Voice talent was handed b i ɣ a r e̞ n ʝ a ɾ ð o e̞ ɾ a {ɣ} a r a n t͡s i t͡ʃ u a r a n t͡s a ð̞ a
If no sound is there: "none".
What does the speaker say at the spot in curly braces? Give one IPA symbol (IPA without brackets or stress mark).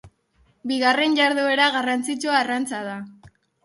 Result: ɣ